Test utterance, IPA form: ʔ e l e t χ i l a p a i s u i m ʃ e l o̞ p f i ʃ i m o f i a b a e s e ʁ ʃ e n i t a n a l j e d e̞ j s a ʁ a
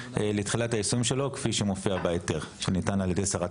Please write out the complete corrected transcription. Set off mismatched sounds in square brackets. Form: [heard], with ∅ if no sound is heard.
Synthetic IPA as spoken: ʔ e l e t χ i l a [t] a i s u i m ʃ e l o̞ [k] f i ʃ [e] m o f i a b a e [t] e ʁ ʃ e n i t a n a l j e d e̞ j s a ʁ a